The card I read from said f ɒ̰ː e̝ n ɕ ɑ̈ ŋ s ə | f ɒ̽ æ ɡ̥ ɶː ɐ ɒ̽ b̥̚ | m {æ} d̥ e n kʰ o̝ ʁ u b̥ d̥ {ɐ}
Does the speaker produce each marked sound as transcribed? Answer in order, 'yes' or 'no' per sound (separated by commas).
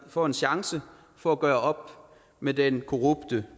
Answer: no, no